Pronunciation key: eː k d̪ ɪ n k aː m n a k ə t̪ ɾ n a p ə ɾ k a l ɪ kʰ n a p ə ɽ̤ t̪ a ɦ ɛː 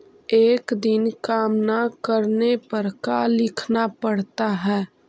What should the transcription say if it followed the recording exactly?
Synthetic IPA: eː k d̪ ɪ n k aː m n a k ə ɾ n e p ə ɾ k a l ɪ kʰ n a p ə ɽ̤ t̪ a ɦ ɛː